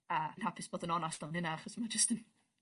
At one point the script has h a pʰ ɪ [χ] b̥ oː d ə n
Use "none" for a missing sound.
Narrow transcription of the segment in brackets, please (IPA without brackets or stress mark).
s